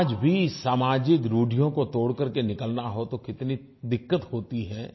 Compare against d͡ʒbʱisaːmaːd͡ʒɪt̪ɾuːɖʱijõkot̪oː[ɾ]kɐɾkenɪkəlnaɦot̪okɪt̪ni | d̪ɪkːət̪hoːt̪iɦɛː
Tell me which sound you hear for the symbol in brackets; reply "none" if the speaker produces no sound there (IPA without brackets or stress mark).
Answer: ɽ